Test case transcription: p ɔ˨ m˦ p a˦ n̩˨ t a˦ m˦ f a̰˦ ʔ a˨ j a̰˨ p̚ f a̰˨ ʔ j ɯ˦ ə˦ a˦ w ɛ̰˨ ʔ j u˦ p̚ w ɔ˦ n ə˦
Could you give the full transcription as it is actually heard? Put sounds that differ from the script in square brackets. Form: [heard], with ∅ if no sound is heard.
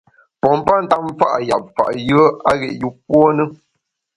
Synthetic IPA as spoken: p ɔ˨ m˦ p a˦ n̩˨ t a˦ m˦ f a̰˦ ʔ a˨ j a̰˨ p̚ f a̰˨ ʔ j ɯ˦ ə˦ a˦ [ɣ] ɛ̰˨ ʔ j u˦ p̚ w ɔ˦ n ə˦